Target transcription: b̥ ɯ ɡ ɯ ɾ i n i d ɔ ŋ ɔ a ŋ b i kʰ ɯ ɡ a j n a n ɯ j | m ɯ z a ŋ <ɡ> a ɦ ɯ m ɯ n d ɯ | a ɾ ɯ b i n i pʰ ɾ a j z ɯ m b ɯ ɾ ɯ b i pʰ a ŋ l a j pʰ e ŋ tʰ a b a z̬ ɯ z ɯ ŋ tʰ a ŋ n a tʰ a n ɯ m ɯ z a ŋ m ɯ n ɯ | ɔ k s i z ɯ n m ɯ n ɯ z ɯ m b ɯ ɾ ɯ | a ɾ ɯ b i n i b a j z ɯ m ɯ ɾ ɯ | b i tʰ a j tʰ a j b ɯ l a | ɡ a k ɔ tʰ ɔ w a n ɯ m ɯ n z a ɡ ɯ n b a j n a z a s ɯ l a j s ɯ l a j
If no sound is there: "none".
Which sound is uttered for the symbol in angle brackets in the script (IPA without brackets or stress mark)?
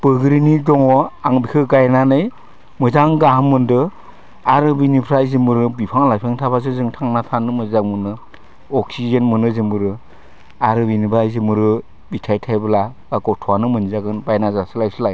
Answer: ɡ